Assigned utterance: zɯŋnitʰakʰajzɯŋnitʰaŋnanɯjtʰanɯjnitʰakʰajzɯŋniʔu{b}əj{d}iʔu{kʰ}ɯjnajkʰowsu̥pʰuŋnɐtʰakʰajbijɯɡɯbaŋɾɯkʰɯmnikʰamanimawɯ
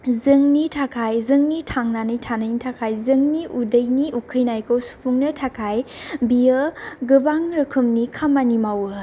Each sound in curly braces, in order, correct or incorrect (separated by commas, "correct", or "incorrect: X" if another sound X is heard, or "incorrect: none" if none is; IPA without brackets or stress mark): incorrect: d, incorrect: n, correct